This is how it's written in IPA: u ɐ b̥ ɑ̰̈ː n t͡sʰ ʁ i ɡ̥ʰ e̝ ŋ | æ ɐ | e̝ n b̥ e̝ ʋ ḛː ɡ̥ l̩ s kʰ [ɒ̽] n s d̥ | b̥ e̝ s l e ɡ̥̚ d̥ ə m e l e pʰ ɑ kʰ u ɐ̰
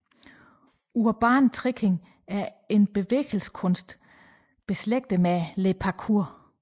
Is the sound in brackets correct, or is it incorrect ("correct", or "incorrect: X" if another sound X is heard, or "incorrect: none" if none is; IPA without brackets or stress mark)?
incorrect: ɔ̽